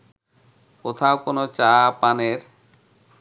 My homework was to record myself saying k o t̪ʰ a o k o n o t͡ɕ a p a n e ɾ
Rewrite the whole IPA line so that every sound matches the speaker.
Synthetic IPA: k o t̪ʰ a o k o n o t͡ɕ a p a n e ɾ